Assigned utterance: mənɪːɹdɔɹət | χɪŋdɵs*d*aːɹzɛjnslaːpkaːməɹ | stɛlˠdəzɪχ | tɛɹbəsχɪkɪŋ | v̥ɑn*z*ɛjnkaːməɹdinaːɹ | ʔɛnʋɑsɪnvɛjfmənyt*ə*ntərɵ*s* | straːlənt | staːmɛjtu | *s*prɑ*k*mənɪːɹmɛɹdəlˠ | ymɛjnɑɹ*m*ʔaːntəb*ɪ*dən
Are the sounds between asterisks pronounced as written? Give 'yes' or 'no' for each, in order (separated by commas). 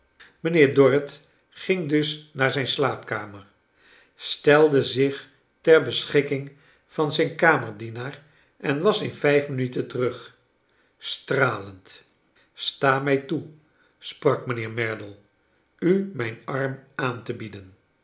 no, yes, yes, no, yes, yes, yes, no